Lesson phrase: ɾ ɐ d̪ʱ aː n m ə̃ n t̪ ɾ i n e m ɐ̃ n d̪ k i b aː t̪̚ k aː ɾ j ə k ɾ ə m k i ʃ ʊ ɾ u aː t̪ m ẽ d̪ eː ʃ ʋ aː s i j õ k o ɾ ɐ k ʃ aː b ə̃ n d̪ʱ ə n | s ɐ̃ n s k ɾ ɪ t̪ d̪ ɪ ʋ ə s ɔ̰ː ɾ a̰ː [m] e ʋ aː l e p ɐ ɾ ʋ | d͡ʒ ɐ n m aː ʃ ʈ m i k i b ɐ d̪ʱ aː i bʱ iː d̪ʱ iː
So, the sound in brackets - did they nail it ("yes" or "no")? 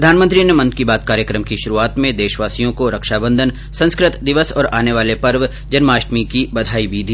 no